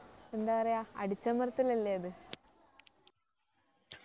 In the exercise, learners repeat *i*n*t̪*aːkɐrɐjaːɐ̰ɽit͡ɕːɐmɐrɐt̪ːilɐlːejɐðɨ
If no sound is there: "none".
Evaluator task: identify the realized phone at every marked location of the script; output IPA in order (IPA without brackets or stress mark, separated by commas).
e, d̪